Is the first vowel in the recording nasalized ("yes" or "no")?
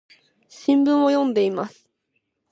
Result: yes